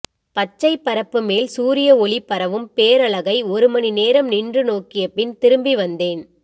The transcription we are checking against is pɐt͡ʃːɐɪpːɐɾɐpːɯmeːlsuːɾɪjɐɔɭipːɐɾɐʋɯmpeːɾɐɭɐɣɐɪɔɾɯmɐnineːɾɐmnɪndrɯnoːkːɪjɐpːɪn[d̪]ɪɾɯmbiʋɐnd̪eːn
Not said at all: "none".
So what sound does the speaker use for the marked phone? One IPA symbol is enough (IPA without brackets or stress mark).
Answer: t̪